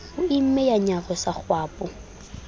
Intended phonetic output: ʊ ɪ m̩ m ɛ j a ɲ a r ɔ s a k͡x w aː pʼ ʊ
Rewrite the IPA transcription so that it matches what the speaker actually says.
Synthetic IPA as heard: ʊ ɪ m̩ m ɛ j a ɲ a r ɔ s a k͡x w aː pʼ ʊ